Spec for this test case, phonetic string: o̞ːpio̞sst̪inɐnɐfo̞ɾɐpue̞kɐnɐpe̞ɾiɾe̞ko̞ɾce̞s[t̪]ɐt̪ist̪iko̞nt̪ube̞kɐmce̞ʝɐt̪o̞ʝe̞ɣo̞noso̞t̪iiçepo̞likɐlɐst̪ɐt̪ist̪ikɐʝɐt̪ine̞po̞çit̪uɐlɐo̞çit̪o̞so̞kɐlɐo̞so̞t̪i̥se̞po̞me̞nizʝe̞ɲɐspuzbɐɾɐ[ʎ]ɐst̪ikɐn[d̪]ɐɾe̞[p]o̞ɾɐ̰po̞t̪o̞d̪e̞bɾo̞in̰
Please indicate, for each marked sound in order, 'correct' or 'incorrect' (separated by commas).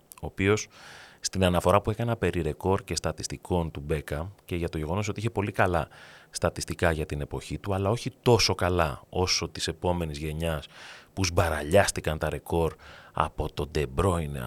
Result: correct, correct, incorrect, incorrect